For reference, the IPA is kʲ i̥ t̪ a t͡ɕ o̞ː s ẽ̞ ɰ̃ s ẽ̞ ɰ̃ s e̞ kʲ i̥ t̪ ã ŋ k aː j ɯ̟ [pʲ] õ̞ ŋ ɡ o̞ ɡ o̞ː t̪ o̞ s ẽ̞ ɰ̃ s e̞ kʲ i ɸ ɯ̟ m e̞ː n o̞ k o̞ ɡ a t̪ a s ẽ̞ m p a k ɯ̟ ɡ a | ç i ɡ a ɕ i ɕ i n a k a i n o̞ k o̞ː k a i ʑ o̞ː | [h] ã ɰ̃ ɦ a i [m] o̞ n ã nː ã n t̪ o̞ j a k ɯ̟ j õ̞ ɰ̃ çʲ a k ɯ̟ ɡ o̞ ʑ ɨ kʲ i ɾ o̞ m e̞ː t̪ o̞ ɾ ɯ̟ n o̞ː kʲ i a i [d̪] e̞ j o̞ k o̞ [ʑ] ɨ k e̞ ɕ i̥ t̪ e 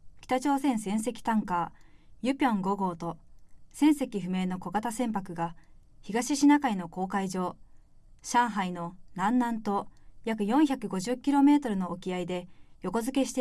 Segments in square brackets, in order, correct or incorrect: correct, incorrect: ɕ, incorrect: n, correct, incorrect: z

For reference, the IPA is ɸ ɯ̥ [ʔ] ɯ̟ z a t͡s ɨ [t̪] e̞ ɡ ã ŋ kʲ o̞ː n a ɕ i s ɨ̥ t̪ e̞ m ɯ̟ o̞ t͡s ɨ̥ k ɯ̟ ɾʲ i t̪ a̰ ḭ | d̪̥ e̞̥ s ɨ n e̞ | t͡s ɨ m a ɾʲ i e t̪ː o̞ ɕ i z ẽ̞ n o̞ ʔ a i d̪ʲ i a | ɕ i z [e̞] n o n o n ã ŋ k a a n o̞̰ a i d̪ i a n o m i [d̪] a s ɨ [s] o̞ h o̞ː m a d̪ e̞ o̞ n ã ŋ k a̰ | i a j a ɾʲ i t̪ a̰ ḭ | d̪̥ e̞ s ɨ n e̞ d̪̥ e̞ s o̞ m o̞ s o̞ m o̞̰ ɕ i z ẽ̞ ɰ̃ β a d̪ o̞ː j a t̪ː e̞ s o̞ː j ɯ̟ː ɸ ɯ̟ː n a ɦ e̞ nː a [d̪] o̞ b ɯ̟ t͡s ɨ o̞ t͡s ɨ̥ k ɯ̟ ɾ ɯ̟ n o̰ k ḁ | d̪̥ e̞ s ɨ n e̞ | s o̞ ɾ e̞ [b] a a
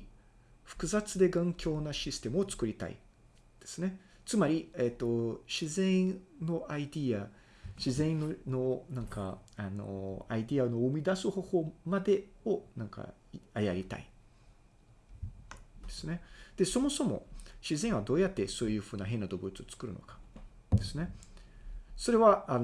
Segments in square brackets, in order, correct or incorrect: incorrect: k, incorrect: d̪, incorrect: ẽ̞, correct, incorrect: h, correct, incorrect: β

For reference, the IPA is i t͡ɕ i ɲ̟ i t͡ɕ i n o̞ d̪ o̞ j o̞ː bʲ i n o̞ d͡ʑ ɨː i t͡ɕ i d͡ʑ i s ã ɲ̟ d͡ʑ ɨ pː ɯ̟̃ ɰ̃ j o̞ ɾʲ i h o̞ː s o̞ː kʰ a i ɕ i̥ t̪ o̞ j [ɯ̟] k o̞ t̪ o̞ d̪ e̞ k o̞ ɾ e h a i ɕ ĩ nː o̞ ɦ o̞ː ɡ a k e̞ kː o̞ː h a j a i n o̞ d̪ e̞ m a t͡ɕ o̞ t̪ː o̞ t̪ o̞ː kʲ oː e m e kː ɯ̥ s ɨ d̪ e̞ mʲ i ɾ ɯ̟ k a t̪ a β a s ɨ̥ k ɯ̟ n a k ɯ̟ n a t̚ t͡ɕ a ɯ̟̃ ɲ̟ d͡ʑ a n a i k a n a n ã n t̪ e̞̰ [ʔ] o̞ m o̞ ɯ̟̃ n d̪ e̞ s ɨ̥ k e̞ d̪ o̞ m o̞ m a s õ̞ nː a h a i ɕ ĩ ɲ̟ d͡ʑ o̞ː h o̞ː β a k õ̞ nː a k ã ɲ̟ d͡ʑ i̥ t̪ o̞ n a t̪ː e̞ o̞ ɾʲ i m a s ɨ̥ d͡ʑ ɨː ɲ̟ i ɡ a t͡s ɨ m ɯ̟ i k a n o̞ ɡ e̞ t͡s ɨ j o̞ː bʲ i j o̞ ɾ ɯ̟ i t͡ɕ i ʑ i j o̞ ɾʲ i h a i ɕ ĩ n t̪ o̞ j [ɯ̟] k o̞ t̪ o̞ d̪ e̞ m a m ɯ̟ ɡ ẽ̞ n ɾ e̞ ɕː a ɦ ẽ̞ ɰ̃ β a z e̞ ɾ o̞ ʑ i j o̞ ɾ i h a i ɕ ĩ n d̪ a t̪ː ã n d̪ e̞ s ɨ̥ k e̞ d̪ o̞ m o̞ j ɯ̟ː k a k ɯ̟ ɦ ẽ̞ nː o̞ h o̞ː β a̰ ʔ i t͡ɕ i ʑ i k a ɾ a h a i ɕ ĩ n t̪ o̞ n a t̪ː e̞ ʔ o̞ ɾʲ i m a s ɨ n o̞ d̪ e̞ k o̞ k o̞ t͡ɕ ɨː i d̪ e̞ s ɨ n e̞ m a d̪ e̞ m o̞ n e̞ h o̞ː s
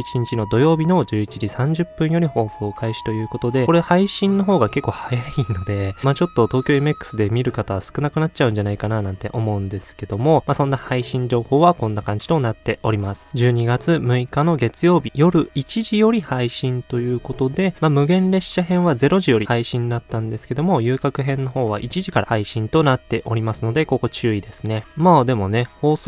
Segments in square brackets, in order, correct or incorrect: incorrect: ɯ̟ː, correct, incorrect: ɯ̟ː

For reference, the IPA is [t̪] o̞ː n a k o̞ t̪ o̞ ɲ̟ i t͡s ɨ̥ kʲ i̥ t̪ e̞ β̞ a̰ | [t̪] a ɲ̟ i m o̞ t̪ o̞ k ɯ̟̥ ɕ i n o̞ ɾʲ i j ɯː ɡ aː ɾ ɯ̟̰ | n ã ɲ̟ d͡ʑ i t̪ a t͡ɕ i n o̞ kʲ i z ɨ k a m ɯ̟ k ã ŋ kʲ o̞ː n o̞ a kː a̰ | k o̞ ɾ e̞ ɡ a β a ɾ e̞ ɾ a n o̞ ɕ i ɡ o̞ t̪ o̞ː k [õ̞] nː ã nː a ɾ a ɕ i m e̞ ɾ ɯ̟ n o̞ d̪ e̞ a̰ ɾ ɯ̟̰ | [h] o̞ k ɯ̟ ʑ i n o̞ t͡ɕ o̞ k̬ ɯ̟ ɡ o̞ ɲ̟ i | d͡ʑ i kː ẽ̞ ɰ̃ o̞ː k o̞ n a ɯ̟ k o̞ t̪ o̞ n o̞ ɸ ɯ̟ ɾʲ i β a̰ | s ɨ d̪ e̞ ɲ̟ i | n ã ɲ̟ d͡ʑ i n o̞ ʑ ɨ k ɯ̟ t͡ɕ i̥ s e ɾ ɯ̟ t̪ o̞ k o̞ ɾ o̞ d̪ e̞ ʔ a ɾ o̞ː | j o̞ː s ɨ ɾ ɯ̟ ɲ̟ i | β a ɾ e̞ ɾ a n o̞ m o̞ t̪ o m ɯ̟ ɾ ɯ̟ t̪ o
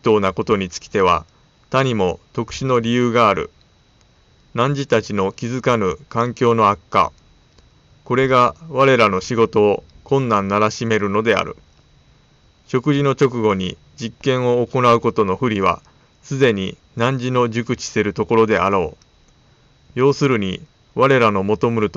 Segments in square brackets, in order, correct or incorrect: correct, correct, correct, incorrect: ɕ

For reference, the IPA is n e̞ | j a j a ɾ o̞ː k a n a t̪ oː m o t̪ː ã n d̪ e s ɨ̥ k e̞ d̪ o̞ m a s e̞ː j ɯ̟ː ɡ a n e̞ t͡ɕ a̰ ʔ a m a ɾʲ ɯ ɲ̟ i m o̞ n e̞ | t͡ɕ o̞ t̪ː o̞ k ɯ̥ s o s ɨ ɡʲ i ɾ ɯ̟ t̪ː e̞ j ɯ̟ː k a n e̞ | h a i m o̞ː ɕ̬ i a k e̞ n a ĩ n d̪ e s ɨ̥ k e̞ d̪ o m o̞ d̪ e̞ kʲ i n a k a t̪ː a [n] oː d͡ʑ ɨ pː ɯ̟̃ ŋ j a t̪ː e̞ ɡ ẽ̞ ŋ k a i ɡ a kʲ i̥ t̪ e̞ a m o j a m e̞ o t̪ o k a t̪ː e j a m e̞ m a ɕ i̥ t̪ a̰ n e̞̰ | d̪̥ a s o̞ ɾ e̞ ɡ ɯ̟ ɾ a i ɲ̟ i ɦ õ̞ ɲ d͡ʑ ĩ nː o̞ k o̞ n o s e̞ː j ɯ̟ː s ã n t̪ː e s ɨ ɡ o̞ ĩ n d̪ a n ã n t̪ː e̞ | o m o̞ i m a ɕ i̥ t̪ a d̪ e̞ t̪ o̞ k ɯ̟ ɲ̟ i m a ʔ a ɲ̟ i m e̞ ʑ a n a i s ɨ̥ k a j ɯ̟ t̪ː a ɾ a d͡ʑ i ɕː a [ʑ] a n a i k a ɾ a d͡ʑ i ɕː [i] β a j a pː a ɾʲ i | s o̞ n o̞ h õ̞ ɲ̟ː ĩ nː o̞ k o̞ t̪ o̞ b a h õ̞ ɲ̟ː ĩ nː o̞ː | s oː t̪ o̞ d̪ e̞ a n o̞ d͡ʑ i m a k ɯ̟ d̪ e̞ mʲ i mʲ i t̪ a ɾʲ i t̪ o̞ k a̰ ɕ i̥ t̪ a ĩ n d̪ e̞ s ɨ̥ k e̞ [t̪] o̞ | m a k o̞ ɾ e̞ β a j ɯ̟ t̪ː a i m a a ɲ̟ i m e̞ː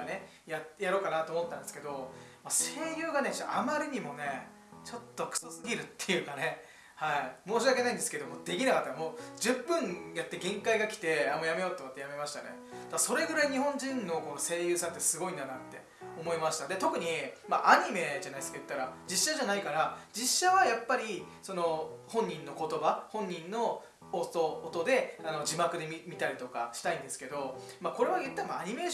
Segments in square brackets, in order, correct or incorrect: incorrect: m, correct, incorrect: a, incorrect: d̪

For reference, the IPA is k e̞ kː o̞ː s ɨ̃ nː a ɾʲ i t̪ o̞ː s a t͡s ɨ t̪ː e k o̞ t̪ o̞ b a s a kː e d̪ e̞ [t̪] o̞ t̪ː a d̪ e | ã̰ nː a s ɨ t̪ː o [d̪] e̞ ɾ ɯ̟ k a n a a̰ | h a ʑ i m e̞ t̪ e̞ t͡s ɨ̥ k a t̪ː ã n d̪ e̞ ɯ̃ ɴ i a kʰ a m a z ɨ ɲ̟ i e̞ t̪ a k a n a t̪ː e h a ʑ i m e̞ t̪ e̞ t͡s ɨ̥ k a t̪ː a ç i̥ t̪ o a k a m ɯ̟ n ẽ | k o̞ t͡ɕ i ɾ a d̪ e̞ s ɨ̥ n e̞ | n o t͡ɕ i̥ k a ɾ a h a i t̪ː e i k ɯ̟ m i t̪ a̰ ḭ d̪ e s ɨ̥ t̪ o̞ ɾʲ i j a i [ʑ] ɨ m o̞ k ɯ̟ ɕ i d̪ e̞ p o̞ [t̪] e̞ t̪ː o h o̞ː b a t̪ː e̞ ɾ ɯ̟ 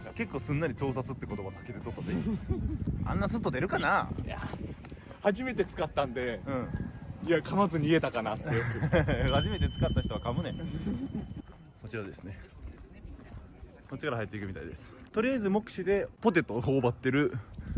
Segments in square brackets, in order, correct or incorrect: correct, correct, incorrect: z, correct

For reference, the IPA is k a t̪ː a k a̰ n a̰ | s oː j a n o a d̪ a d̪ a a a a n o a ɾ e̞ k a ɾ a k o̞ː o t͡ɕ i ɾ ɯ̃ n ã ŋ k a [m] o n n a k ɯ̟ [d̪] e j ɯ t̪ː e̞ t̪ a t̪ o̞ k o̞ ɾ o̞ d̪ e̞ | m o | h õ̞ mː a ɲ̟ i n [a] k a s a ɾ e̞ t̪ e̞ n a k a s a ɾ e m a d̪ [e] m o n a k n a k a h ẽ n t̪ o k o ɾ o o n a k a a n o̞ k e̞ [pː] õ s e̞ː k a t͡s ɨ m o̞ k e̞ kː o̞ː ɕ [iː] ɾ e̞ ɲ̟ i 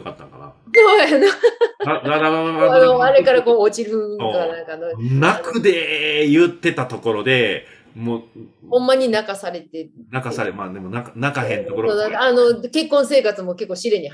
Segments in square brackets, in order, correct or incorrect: incorrect: n, correct, correct, correct, incorrect: kː, incorrect: i

